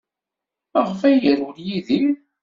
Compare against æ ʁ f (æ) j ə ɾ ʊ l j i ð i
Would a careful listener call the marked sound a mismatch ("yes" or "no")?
no